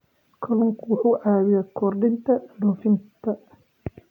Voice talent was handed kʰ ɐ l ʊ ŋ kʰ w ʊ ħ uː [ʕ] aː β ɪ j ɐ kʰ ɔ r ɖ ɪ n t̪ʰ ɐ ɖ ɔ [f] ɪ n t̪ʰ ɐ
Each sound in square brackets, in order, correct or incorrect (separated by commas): correct, correct